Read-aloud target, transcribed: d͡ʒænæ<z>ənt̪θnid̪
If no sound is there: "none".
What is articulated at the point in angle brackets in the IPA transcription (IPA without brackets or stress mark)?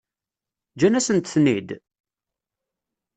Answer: s